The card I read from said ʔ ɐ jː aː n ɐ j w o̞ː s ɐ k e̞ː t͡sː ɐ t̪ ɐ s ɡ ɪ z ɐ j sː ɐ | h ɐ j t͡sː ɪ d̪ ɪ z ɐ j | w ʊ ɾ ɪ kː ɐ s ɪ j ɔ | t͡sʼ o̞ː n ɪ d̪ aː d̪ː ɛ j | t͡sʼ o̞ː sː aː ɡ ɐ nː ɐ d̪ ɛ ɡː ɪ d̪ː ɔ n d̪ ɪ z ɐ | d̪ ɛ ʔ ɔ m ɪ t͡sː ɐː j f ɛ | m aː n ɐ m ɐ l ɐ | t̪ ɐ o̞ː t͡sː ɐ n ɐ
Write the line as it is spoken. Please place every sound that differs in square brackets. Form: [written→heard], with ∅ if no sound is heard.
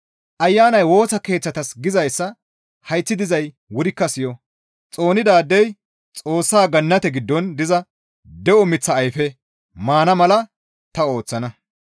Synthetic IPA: ʔ ɐ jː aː n ɐ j w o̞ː s ɐ k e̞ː t͡sː ɐ t̪ ɐ s ɡ ɪ z ɐ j sː ɐ | h ɐ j t͡sː ɪ d̪ ɪ z ɐ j | w ʊ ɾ ɪ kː ɐ s ɪ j ɔ | t͡sʼ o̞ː n ɪ d̪ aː d̪ː ɛ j | t͡sʼ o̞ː sː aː ɡ ɐ nː ɐ [d̪→t̪] ɛ [ɡː→ɡ] ɪ d̪ː ɔ n d̪ ɪ z ɐ | d̪ ɛ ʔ ɔ m ɪ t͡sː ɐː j f ɛ | m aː n ɐ m ɐ l ɐ | t̪ ɐ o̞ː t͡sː ɐ n ɐ